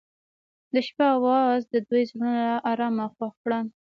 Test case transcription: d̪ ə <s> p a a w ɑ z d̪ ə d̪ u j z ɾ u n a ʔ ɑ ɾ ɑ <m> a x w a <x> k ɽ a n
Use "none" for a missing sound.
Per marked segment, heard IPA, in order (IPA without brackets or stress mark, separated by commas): ʃ, m, x